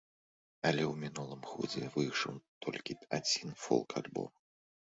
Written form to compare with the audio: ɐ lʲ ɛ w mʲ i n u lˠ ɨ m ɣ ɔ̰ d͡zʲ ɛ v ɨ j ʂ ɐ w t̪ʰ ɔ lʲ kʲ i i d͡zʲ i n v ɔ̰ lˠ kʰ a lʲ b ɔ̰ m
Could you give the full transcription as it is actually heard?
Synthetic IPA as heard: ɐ lʲ ɛ w mʲ i n u lˠ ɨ m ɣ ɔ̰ d͡zʲ ɛ v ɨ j ʂ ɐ w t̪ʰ ɔ lʲ kʲ i a d͡zʲ i n f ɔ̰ lˠ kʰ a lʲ b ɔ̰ m